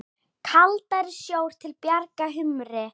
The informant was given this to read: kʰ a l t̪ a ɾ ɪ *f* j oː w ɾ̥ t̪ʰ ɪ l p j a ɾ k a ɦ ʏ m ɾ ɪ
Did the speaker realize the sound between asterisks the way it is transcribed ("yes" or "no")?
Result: no